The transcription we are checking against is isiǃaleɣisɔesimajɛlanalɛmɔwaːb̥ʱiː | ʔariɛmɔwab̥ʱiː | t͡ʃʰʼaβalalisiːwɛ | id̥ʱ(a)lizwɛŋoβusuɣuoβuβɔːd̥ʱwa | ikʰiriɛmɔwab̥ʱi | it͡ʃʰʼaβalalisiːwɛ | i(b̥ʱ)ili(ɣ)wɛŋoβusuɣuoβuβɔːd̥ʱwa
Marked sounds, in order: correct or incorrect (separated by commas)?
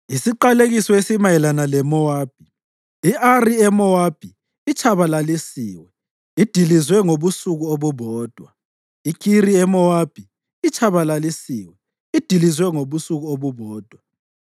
incorrect, incorrect, incorrect